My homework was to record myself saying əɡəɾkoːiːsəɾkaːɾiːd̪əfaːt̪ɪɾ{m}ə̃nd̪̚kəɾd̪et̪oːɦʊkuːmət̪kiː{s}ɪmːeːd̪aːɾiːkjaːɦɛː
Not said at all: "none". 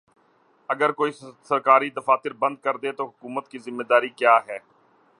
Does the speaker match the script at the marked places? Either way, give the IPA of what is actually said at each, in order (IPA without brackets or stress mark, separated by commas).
b, z